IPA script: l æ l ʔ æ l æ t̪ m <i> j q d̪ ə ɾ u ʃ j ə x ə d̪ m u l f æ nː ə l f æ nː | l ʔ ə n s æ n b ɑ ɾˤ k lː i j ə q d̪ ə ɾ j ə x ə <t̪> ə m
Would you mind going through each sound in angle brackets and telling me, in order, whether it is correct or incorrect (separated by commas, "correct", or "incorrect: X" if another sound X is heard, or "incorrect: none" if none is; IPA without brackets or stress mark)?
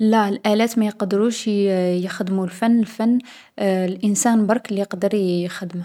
incorrect: æ, incorrect: d̪